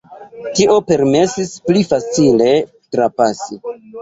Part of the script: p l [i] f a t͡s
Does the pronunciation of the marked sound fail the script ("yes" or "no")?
no